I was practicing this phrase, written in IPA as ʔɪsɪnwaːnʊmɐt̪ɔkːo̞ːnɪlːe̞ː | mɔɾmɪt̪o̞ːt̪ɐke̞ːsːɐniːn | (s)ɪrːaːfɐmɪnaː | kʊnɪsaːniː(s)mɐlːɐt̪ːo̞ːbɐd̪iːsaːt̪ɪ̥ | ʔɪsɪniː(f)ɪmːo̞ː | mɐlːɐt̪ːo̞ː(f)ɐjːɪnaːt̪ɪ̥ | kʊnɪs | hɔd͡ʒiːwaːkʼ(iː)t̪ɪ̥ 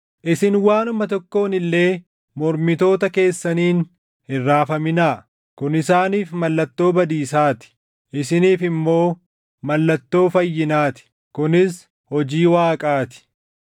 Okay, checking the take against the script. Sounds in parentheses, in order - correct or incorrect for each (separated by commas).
incorrect, incorrect, correct, correct, incorrect